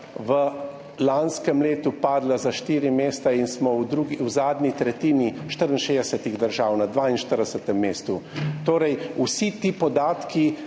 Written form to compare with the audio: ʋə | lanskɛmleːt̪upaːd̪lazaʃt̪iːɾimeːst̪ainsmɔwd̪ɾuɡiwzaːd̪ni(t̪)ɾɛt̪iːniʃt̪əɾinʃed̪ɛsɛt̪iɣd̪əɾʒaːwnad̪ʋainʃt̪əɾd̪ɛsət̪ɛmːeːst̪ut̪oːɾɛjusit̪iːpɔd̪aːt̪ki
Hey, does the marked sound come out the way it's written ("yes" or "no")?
yes